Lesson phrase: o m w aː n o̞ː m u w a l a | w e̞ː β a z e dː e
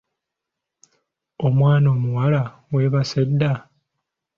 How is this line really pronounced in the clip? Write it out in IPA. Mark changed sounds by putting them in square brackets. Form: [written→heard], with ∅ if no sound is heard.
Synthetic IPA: o m w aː n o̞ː m u w a l a | w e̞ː β a [z→s] e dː [e→a]